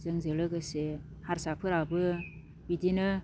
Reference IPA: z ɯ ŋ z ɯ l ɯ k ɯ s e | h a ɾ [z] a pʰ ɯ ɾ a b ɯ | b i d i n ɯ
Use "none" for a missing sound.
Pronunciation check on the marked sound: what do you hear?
s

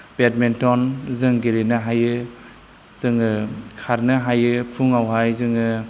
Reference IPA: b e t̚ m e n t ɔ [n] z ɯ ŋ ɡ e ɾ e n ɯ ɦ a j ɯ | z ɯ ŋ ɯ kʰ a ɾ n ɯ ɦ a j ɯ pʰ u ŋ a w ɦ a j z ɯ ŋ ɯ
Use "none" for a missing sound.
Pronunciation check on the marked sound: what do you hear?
n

